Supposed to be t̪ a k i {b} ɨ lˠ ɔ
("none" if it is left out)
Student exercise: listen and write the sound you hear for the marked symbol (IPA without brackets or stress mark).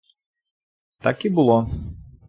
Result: b